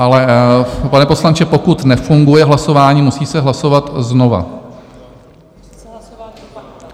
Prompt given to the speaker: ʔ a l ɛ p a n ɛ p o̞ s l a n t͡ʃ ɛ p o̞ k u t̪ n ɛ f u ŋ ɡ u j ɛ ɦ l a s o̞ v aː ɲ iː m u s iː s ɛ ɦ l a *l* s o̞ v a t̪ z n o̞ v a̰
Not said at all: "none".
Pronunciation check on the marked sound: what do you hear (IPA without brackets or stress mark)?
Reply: none